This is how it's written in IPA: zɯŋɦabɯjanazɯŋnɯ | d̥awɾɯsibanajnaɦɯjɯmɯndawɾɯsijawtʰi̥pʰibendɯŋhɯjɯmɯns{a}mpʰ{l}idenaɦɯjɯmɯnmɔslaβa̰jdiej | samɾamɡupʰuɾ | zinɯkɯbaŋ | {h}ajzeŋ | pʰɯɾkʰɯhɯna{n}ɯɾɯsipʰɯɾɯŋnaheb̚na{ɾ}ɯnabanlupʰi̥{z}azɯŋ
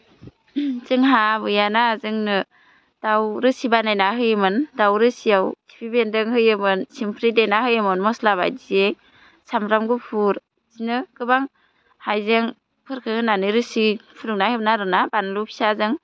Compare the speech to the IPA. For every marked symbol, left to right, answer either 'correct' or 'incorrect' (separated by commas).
incorrect, incorrect, correct, correct, correct, incorrect